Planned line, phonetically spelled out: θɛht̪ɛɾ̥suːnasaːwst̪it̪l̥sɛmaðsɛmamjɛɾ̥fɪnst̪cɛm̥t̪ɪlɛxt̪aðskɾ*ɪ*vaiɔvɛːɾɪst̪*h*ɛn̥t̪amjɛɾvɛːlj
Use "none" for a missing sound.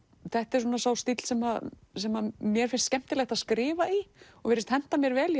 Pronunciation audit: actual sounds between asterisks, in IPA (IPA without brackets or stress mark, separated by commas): ɪː, h